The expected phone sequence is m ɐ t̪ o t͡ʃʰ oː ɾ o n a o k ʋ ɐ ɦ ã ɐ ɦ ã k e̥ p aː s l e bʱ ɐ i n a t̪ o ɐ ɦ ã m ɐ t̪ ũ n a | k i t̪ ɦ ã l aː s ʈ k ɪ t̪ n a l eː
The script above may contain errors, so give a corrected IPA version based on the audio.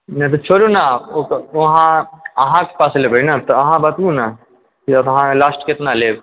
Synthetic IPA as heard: n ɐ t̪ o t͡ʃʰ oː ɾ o n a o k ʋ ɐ ɦ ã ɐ ɦ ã k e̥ p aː s l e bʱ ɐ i n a t̪ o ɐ ɦ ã b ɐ t̪ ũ n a | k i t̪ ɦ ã l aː s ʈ k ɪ t̪ n a l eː